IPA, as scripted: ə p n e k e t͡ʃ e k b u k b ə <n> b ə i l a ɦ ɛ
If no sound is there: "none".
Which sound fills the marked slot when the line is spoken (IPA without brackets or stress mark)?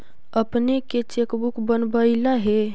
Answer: n